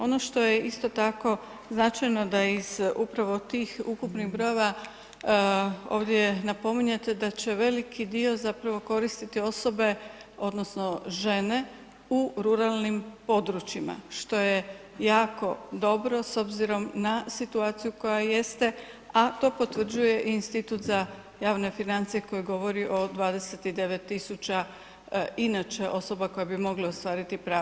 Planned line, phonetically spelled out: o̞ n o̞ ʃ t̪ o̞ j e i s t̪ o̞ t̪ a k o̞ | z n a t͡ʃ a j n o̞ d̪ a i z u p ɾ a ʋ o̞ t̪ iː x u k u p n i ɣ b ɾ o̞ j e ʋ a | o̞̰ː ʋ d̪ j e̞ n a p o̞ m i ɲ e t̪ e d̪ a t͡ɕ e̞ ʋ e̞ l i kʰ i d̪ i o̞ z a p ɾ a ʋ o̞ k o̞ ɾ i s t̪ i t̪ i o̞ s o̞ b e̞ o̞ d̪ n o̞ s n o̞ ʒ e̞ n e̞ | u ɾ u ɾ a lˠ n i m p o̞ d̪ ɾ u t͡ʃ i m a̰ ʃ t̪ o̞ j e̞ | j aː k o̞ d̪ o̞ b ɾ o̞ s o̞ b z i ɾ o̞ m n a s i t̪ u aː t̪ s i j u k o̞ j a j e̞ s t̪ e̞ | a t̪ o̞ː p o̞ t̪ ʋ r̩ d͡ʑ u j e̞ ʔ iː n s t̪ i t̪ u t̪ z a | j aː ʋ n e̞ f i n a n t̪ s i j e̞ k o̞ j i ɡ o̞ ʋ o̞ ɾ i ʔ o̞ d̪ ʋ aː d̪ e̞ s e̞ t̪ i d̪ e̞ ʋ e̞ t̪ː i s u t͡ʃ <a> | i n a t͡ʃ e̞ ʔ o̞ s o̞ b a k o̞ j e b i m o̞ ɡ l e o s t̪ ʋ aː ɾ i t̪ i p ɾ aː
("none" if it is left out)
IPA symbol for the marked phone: a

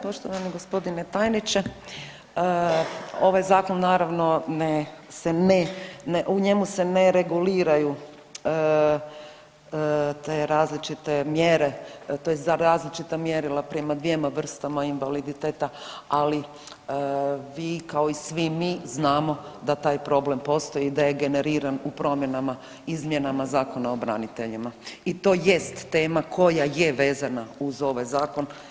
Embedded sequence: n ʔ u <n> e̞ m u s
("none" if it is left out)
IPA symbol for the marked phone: ɲ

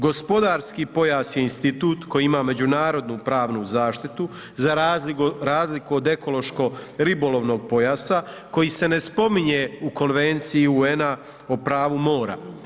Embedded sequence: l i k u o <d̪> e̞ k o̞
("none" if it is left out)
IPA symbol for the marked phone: d̪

